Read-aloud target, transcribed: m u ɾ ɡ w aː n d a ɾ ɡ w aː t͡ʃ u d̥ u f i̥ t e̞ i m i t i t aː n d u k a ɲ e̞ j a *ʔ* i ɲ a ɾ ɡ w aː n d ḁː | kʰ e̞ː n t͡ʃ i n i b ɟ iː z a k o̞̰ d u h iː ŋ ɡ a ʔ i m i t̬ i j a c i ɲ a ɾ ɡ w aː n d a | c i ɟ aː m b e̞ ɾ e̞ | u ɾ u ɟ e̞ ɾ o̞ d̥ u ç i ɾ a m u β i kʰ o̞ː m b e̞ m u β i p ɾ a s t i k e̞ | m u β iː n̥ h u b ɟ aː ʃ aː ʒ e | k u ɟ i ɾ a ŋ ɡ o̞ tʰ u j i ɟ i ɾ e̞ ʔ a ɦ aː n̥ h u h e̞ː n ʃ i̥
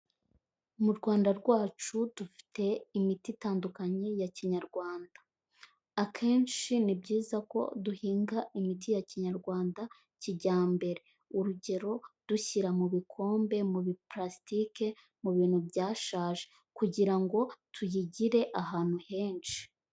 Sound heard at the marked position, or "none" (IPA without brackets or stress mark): c